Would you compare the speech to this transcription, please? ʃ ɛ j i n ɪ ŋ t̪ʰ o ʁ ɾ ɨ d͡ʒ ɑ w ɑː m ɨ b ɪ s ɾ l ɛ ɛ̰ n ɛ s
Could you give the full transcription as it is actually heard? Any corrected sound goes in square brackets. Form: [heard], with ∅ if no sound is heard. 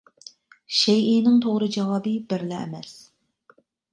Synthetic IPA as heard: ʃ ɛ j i n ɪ ŋ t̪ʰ o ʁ ɾ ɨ d͡ʒ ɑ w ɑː [b] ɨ b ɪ [∅] ɾ l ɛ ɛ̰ [m] ɛ s